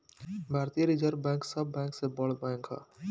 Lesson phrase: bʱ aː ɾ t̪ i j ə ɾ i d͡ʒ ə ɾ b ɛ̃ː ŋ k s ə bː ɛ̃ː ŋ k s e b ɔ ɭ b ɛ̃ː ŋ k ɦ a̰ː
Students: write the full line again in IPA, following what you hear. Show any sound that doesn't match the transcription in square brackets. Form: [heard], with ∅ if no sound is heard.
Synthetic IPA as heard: bʱ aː ɾ t̪ i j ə ɾ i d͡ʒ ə ɾ b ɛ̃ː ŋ k s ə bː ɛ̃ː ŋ k s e b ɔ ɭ b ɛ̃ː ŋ k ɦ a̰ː